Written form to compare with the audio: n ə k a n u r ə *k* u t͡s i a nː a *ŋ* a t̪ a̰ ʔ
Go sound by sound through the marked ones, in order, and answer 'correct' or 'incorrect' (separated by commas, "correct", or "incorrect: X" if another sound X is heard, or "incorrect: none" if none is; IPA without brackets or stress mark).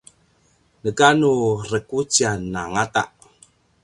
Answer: correct, correct